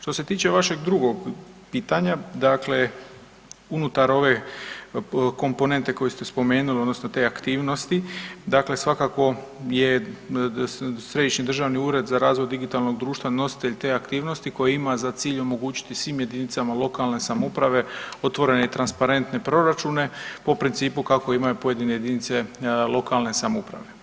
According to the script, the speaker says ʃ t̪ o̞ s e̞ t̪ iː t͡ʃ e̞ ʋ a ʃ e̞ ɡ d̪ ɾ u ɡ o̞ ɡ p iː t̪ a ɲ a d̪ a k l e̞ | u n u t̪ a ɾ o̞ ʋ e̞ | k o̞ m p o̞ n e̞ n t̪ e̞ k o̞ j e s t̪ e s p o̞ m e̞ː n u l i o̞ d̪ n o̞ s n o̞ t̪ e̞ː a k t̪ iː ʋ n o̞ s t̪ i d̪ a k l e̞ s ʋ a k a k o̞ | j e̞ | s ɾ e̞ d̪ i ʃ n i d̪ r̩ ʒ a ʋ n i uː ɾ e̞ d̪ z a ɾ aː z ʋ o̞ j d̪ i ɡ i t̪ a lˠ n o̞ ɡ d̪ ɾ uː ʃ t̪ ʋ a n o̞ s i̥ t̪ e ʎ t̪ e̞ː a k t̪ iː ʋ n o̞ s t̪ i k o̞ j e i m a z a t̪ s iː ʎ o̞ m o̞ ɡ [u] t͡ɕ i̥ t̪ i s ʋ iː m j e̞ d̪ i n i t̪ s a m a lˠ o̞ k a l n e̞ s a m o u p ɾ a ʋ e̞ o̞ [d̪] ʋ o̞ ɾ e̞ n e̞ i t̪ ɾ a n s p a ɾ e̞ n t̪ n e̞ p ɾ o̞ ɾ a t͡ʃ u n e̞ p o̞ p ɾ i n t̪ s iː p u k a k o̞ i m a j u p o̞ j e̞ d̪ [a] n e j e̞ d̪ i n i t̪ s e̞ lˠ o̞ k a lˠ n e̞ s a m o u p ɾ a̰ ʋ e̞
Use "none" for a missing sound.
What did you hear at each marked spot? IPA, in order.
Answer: uː, t̪, i

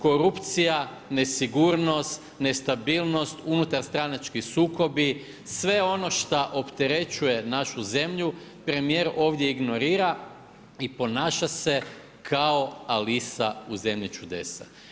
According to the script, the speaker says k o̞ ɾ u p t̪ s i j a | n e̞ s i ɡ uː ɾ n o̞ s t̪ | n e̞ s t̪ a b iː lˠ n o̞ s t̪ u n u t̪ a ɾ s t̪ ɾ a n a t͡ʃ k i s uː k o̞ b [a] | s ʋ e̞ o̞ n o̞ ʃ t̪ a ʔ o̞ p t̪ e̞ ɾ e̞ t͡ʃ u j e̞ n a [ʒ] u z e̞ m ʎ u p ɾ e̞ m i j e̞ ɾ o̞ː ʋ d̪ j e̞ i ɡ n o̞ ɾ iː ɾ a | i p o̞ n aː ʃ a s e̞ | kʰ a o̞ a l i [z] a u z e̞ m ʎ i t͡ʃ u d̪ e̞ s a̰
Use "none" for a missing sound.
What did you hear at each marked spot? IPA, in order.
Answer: i, ʃ, s

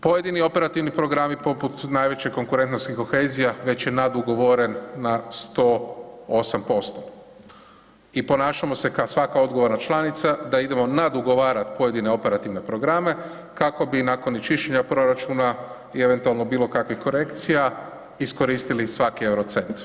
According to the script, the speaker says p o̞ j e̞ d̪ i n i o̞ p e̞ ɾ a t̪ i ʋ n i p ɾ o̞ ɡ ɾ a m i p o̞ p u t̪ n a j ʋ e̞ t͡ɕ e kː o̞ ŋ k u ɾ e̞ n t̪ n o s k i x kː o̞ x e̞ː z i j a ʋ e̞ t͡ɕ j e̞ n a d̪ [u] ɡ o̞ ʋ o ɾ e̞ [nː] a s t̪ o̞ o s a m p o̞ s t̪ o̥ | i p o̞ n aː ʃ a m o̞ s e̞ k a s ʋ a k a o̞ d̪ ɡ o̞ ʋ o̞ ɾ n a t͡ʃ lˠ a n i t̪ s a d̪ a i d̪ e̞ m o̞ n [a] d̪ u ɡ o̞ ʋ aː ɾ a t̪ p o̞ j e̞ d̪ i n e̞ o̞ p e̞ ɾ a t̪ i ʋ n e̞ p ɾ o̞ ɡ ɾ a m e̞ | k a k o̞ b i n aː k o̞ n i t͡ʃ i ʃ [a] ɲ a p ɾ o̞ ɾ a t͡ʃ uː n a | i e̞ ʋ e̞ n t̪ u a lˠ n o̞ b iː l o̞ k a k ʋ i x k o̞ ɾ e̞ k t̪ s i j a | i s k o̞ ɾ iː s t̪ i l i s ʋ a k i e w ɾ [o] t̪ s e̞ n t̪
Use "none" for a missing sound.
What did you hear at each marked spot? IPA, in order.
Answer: u, nː, a, e, o

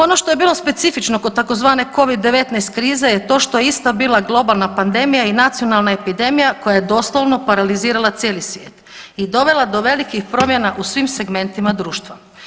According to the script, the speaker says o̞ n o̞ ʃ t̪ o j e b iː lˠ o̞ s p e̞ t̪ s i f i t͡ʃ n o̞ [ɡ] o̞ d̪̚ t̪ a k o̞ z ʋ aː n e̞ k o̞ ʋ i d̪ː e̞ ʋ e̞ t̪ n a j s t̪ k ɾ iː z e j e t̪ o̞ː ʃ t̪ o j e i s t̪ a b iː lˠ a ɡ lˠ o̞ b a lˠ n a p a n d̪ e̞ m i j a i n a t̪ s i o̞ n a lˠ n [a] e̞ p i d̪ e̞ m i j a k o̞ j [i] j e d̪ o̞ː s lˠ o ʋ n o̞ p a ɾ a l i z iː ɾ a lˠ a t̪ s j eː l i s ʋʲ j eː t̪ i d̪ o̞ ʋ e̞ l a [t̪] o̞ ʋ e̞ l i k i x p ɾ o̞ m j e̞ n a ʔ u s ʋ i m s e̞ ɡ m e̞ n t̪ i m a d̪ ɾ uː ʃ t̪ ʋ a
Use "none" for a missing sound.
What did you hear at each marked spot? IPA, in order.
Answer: k, a, a, d̪

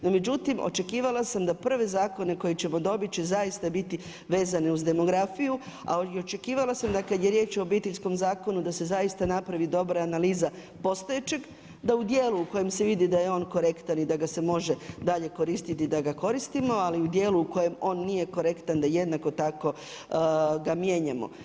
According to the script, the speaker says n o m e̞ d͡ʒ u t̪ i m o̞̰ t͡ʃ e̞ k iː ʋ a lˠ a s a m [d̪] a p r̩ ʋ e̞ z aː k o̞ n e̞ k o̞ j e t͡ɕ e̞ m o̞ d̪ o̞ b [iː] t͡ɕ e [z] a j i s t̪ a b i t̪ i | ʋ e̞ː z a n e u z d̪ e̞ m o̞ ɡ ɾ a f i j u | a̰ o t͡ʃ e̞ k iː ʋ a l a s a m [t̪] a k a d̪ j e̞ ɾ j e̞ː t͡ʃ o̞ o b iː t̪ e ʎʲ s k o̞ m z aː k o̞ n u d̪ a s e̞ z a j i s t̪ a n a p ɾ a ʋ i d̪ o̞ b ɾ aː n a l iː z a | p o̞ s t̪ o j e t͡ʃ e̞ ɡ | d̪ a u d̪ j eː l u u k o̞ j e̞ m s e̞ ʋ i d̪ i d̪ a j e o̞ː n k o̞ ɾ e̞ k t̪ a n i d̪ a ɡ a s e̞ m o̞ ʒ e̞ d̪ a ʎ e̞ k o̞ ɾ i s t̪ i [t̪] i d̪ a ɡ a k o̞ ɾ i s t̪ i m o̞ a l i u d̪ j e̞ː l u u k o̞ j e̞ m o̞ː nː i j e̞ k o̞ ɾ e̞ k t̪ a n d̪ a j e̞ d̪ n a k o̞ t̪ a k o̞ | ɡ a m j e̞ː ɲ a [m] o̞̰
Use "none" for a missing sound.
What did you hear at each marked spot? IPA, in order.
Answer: d̪, i, z, d̪, t̪, m

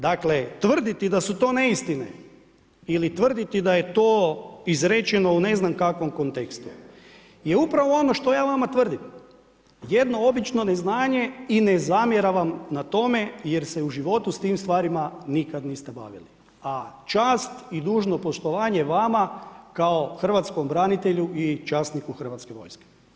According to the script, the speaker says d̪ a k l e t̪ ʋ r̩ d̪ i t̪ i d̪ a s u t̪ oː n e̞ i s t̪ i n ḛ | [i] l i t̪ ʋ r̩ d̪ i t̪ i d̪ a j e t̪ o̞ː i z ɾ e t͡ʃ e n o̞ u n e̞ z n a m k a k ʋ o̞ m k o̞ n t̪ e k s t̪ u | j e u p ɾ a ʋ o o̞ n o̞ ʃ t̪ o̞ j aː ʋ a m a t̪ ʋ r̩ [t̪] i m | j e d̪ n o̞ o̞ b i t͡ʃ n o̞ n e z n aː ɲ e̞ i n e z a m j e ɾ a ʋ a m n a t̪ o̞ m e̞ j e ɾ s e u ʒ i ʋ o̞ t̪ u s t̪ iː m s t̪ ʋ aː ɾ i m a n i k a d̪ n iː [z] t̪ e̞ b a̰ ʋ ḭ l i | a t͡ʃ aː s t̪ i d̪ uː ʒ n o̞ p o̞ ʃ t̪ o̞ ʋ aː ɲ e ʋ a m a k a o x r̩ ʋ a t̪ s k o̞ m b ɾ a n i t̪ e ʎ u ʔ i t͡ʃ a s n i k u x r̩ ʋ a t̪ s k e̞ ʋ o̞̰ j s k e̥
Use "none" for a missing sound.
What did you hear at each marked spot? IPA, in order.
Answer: i, d̪, s

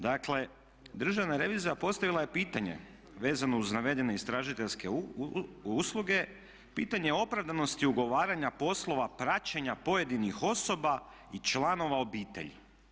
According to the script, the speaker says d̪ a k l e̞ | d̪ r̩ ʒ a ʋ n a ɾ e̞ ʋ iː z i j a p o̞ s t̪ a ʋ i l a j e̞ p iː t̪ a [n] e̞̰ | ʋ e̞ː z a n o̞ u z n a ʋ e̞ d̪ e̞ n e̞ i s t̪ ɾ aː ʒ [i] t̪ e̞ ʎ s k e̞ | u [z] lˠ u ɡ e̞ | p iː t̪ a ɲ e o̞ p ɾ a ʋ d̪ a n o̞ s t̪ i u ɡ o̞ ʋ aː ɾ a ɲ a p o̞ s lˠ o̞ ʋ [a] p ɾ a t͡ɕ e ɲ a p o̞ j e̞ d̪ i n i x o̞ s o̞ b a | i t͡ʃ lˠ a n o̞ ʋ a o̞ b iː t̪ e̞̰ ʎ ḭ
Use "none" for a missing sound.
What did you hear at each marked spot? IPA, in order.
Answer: ɲ, i, s, a

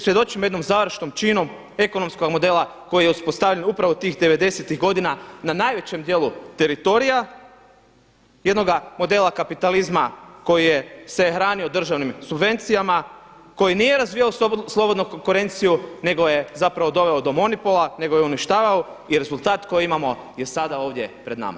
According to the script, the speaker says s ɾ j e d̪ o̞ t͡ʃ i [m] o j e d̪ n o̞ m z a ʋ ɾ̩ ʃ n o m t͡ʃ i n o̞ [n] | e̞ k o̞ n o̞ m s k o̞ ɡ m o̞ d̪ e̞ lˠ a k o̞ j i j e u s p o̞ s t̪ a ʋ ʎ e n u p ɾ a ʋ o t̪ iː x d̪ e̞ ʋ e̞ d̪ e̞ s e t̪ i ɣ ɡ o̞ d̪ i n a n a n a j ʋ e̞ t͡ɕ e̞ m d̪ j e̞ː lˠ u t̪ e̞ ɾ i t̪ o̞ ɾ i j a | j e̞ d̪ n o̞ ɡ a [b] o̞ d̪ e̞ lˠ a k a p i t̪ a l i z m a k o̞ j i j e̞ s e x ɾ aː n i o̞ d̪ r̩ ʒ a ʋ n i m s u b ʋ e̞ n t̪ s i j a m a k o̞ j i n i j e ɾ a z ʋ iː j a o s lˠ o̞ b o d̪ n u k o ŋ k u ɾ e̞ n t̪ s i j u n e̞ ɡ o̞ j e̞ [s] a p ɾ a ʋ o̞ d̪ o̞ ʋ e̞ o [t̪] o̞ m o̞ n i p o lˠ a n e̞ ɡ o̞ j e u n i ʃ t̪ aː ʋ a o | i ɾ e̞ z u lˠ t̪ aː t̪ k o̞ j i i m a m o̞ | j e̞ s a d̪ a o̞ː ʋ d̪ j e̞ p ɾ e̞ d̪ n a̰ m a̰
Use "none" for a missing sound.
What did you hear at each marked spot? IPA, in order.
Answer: m, m, m, z, d̪

